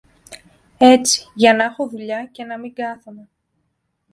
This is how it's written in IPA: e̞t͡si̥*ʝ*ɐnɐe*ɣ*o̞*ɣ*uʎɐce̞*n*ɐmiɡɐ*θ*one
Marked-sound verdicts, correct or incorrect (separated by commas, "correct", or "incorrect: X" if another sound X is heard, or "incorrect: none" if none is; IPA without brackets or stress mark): correct, incorrect: x, incorrect: ð, correct, correct